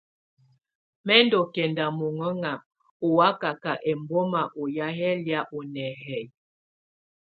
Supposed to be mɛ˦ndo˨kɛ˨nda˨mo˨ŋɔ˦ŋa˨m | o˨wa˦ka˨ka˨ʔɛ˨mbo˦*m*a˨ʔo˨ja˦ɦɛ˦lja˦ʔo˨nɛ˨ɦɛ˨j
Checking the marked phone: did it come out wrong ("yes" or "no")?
no